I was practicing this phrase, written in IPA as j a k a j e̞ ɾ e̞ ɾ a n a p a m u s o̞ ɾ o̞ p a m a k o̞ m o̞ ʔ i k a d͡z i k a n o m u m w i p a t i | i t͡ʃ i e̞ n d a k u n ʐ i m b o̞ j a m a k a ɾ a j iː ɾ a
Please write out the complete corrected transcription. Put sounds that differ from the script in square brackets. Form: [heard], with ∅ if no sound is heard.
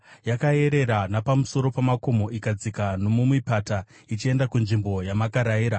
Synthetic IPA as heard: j a k a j e̞ ɾ e̞ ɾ a n a p a m u s o̞ ɾ o̞ p a m a k o̞ m o̞ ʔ i k a d͡z i k a n o m u m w i p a t [a] | i t͡ʃ i e̞ n d a k u n ʐ i m b o̞ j a m a k a ɾ a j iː ɾ a